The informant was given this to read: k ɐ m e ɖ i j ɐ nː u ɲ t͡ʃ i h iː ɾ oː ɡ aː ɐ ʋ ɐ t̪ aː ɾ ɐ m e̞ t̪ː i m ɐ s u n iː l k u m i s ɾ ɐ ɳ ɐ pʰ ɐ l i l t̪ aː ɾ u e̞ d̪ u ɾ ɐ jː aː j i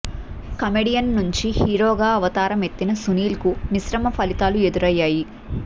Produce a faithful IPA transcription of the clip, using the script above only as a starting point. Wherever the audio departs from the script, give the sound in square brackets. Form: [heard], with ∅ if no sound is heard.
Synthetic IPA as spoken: k ɐ m e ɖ i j ɐ nː u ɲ t͡ʃ i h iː ɾ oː ɡ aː ɐ ʋ ɐ t̪ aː ɾ ɐ m e̞ t̪ː i [n] ɐ s u n iː l k u m i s ɾ ɐ [m] ɐ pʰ ɐ l i [∅] t̪ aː [l] u e̞ d̪ u ɾ ɐ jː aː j i